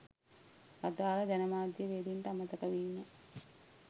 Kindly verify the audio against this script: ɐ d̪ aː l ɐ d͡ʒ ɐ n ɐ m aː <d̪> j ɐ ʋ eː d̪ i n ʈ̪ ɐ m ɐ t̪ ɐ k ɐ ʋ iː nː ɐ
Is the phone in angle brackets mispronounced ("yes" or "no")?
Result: no